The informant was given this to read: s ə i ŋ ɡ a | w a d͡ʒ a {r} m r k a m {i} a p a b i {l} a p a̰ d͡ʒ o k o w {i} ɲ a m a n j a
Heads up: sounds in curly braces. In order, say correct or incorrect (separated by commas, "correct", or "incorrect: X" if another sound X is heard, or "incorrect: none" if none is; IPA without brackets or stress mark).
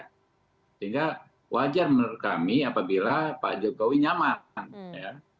correct, correct, correct, correct